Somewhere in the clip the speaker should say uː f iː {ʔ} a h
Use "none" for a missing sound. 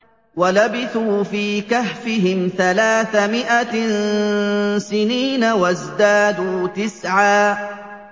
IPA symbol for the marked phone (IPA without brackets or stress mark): k